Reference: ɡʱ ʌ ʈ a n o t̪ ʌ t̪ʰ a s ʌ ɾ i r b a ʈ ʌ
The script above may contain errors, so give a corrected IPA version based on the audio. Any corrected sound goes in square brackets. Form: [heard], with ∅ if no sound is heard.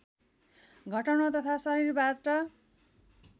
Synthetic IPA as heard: ɡʱ ʌ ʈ [ʌ] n o t̪ ʌ t̪ʰ a s ʌ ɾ i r b a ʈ ʌ